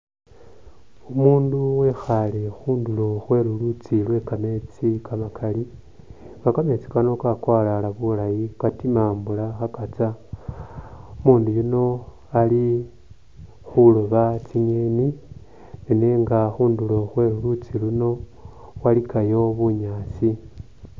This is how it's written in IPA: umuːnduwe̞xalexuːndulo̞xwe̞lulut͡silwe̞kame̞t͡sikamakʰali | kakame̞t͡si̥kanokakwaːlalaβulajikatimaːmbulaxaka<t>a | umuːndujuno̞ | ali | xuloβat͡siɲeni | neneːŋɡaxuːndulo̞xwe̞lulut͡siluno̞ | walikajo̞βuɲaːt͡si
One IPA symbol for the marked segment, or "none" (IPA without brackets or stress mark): t͡s